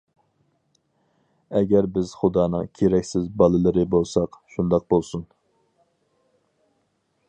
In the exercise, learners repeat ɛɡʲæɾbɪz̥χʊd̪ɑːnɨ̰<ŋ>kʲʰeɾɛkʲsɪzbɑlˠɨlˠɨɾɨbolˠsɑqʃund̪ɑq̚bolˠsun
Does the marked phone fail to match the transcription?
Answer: no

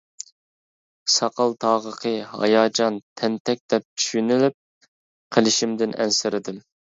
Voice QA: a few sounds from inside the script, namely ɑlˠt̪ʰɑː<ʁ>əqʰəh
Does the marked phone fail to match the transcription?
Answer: no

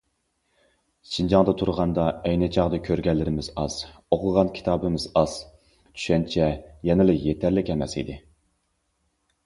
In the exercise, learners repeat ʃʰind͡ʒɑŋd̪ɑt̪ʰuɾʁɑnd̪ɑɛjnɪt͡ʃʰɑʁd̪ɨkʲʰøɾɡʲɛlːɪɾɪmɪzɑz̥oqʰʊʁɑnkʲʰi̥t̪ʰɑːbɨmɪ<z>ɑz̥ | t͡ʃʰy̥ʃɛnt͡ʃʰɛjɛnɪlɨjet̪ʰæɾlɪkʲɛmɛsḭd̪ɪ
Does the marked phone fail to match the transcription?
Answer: no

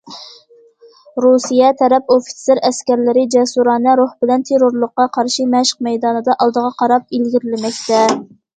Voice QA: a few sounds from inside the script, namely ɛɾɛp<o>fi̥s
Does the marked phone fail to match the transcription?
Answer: no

